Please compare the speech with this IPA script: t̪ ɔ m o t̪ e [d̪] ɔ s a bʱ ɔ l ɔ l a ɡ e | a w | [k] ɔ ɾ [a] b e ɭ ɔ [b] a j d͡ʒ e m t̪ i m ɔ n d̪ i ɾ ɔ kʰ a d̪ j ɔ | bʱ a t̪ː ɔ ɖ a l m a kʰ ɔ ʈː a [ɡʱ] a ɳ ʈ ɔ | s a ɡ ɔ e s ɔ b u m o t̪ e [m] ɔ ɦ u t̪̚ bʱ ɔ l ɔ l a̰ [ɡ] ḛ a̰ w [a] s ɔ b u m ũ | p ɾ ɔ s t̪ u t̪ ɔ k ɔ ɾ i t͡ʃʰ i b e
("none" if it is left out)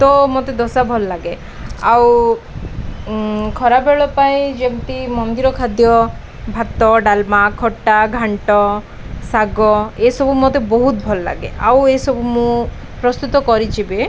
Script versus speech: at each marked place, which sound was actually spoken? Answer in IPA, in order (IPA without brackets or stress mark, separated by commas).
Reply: d̪, kʰ, a, p, ɡʱ, b, ɡ, e